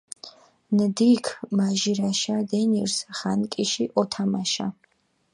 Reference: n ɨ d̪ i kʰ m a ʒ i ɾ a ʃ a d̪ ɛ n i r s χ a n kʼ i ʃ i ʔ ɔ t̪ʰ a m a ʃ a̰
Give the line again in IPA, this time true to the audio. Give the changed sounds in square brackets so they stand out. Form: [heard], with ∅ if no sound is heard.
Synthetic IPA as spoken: n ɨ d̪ i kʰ m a ʒ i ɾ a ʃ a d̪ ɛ n i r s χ a n kʼ i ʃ i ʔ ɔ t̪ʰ a m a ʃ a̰